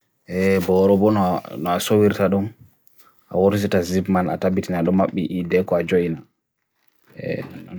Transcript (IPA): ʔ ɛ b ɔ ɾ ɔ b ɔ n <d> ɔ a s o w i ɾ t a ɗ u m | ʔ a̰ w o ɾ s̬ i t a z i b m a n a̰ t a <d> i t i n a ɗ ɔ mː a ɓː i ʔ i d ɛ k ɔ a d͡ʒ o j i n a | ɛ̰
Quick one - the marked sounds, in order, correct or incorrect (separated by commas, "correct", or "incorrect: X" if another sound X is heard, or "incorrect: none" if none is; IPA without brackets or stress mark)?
incorrect: n, incorrect: b